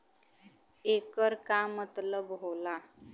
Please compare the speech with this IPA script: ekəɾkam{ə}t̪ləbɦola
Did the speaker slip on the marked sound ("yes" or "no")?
no